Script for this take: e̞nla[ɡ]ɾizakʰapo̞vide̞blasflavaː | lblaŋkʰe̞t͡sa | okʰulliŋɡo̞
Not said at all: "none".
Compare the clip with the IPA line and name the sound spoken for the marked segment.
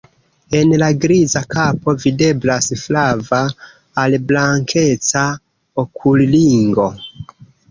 ɡ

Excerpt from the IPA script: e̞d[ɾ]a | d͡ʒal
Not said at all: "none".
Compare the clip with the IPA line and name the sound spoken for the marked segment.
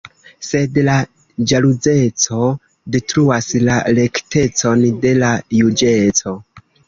l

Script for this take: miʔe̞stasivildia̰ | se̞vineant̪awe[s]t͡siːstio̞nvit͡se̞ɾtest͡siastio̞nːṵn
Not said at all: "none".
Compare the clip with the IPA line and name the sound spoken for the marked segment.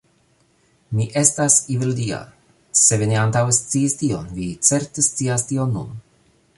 s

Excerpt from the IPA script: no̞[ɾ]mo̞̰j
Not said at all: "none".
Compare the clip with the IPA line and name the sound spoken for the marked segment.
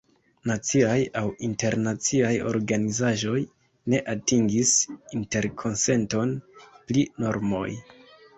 ɾ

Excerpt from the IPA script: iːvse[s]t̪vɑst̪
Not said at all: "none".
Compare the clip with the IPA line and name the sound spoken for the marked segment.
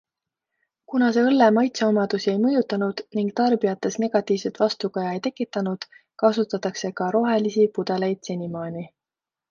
none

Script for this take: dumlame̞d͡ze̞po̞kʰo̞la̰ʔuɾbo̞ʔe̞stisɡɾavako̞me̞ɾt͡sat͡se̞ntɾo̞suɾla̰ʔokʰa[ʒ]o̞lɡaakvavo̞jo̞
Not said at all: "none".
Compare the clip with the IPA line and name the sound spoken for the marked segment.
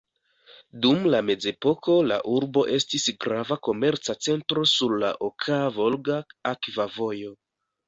v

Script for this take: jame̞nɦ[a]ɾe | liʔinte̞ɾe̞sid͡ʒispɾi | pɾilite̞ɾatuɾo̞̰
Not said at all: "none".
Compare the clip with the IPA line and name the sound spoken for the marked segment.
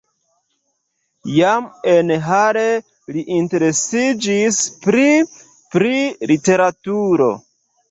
a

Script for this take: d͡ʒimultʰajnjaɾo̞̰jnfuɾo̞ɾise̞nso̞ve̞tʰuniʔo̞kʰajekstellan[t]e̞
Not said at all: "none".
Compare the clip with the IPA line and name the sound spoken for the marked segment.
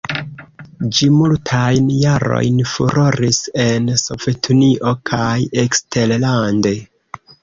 d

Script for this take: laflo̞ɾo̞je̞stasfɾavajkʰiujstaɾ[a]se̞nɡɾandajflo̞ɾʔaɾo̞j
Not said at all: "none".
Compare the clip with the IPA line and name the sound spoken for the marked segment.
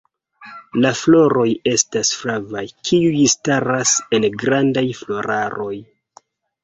a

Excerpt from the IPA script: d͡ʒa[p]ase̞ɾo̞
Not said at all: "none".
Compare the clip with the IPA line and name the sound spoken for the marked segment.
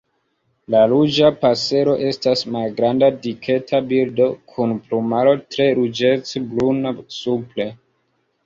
p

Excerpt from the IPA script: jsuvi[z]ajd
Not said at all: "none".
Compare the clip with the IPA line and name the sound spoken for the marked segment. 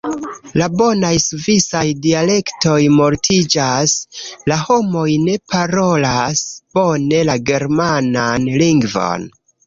s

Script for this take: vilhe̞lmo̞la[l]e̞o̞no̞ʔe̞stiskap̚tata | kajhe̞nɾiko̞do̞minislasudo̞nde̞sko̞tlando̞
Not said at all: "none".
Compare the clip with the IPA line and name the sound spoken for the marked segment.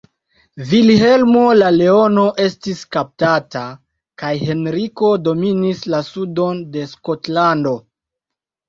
l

